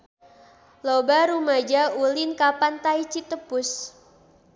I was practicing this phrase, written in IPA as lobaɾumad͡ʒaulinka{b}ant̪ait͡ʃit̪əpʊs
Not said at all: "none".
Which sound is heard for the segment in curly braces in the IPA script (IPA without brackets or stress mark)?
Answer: p